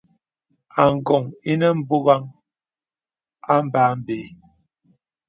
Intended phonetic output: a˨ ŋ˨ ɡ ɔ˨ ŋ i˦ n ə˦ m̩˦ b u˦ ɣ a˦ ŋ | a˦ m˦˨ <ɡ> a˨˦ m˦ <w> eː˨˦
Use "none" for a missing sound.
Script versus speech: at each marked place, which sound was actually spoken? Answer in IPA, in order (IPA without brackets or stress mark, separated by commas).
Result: b, b